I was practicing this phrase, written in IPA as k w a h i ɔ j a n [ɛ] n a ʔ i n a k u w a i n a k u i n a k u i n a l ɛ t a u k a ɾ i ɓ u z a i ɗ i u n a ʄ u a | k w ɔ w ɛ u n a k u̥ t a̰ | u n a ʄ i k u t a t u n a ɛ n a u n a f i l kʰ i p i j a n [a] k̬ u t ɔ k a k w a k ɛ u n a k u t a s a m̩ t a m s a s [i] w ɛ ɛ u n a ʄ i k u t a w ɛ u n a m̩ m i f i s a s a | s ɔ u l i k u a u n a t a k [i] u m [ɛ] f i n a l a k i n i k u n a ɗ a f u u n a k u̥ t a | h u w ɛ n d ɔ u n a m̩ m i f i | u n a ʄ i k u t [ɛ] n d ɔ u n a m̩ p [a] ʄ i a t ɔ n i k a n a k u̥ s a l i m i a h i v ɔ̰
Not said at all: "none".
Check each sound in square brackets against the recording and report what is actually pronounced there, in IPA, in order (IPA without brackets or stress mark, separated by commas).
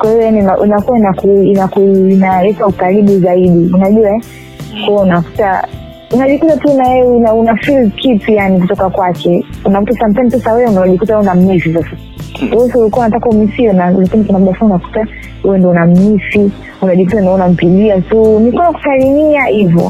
i, i, a, a, i, a, i